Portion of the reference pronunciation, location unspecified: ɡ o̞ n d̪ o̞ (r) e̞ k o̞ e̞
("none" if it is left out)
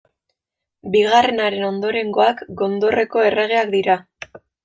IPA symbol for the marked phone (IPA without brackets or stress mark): r